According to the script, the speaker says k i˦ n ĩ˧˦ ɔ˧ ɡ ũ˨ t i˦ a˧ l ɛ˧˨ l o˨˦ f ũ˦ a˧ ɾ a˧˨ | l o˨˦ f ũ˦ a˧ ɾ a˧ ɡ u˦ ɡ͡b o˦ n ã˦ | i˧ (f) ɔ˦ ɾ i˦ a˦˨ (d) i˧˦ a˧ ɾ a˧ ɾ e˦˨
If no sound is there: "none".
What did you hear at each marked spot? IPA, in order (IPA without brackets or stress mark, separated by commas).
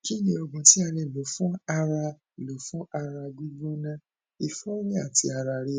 f, t